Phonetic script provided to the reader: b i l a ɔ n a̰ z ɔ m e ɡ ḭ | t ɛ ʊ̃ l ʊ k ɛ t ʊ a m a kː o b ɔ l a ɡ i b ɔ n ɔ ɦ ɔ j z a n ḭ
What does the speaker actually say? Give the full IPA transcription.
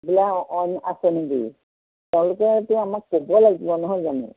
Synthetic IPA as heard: b i l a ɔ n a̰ s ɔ n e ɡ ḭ | t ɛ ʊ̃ l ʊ k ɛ t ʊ a m a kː o b ɔ l a ɡ i b ɔ n ɔ ɦ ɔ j z a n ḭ